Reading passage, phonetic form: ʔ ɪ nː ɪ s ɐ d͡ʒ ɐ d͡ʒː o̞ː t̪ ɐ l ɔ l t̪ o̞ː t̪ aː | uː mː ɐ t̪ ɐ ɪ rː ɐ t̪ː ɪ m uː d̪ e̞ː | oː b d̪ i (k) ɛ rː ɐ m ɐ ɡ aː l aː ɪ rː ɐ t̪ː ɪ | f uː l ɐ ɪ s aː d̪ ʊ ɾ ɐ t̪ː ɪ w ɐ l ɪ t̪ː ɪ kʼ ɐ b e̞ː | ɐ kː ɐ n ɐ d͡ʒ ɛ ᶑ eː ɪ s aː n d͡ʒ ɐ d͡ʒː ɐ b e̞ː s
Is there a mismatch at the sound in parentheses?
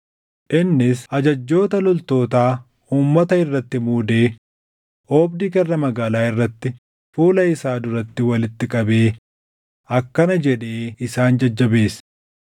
no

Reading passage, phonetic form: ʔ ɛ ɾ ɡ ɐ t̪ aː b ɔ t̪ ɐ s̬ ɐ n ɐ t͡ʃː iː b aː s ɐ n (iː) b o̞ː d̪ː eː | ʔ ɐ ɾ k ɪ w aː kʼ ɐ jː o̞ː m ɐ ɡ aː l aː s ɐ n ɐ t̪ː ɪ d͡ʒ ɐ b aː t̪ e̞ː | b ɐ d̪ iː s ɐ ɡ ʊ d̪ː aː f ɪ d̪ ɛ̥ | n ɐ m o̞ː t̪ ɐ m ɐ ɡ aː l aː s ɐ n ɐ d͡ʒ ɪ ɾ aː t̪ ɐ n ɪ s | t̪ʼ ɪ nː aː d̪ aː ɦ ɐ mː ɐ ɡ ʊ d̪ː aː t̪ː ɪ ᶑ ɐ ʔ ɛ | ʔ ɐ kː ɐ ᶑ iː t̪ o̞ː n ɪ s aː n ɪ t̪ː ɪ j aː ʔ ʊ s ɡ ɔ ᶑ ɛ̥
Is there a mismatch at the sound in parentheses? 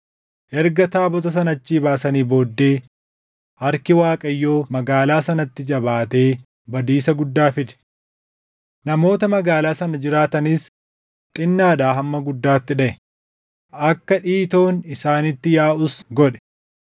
no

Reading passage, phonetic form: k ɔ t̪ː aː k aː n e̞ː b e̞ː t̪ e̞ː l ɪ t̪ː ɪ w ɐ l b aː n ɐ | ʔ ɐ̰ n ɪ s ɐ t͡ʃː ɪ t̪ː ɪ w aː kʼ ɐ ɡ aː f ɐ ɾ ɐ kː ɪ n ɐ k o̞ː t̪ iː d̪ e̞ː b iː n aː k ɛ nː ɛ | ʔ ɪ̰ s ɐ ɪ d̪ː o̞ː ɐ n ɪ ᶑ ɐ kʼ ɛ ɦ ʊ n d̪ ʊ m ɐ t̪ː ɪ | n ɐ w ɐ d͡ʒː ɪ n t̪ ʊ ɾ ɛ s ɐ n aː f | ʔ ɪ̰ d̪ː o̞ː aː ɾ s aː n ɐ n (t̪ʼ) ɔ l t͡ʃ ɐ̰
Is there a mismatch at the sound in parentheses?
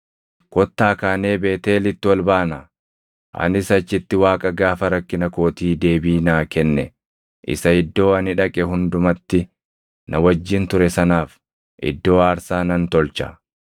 yes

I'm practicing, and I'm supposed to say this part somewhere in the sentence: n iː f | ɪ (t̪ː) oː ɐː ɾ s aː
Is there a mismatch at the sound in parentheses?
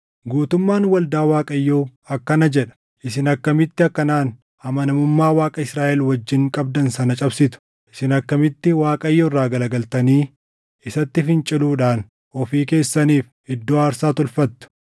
yes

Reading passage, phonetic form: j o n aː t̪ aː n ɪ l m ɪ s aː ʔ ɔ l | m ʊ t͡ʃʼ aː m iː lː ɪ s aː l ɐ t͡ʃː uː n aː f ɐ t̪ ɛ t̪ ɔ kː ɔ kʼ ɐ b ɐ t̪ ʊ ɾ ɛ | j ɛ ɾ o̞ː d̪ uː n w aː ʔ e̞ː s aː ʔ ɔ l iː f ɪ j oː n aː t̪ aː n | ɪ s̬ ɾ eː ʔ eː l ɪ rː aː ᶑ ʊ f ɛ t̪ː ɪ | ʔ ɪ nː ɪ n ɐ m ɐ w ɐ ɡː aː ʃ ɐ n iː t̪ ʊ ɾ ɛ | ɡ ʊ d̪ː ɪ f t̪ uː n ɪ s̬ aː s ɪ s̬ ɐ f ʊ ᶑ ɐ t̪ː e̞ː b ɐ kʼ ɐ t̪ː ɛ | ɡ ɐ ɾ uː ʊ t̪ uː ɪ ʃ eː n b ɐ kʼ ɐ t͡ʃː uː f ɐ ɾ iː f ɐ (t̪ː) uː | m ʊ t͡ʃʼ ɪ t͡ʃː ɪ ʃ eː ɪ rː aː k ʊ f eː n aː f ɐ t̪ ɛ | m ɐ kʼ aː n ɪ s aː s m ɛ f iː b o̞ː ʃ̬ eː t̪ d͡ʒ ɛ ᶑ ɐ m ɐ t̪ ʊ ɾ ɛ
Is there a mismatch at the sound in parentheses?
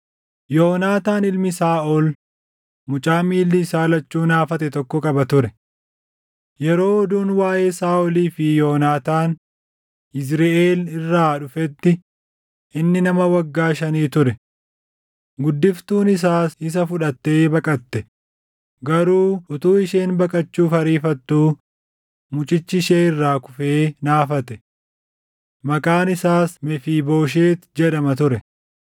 no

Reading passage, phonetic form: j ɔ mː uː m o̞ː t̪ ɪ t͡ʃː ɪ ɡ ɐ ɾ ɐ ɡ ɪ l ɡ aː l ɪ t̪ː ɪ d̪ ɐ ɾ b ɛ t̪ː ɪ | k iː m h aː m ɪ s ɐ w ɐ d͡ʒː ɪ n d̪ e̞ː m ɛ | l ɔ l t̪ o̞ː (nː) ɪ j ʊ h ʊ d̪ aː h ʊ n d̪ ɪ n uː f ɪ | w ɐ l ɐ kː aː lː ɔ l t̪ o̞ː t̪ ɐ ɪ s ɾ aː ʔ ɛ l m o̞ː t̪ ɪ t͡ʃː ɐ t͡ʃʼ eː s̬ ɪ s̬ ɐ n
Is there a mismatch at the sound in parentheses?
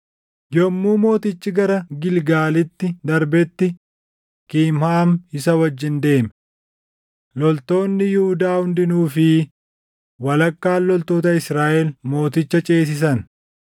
no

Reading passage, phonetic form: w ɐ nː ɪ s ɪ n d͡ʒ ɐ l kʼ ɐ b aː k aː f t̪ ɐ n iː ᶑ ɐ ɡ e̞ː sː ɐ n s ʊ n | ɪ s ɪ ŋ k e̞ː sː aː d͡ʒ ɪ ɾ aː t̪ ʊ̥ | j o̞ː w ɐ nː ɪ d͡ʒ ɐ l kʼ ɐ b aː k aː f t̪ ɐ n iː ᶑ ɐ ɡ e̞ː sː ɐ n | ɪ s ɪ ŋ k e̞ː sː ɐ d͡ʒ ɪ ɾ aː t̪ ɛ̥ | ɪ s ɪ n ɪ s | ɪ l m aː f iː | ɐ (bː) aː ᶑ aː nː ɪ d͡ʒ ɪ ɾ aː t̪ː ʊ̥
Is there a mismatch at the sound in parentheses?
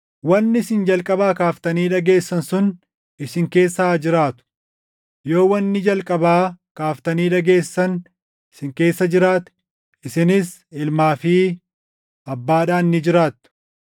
no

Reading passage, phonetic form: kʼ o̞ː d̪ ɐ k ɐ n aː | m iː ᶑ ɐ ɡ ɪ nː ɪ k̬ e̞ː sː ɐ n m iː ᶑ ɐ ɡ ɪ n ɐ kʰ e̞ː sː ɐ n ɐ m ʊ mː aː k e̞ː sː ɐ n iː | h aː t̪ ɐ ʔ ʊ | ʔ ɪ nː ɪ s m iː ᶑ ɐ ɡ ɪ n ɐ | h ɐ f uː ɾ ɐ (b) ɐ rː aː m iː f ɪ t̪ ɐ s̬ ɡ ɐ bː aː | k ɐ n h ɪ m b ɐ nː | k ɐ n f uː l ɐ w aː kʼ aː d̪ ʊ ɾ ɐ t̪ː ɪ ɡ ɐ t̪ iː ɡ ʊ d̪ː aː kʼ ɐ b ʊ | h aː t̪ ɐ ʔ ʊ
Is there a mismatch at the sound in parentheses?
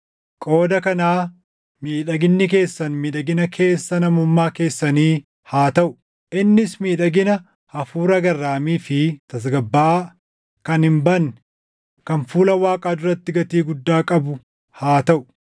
yes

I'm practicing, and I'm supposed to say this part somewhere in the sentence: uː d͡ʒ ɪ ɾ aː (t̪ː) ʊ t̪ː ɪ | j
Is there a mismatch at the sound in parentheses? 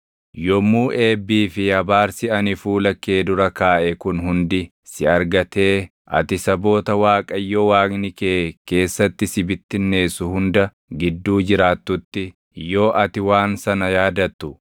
no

